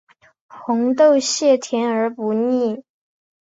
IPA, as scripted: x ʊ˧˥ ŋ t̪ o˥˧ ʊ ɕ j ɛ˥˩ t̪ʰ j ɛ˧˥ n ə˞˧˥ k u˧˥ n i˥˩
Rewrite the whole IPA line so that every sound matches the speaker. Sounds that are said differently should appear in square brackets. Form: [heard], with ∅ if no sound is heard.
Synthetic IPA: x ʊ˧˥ ŋ t̪ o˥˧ ʊ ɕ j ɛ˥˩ t̪ʰ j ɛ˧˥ n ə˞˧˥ [p] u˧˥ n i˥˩